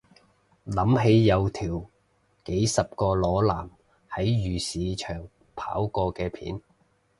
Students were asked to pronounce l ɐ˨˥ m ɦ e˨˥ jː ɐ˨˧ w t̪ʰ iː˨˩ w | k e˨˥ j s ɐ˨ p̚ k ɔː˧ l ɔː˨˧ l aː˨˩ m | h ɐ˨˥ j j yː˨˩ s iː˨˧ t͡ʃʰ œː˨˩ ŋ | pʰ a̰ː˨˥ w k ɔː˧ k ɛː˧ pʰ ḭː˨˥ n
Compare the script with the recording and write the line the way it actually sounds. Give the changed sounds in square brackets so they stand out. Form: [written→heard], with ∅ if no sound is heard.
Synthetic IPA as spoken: l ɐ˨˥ m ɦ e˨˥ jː ɐ˨˧ w t̪ʰ iː˨˩ w | k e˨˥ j s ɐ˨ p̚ k ɔː˧ l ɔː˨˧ l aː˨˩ m | h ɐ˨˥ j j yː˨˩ s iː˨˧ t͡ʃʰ œː˨˩ ŋ | pʰ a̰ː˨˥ w k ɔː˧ k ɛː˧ pʰ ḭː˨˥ n